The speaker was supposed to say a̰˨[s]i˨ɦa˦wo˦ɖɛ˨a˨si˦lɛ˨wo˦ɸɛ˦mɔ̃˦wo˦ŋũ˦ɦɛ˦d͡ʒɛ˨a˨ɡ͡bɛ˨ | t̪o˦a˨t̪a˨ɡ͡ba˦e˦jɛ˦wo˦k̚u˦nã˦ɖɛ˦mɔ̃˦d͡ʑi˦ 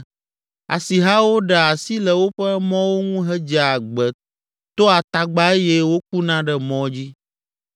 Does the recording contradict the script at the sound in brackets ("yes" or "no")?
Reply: no